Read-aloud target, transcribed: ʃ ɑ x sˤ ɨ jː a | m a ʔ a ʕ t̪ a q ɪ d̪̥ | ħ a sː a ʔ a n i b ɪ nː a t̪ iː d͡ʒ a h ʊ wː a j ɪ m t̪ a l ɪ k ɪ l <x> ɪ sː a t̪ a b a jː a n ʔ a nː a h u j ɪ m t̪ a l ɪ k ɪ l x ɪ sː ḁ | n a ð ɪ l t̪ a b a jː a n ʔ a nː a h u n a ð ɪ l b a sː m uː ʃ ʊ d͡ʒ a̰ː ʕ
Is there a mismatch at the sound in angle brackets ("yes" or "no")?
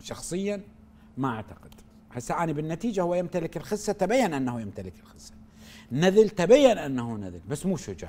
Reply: no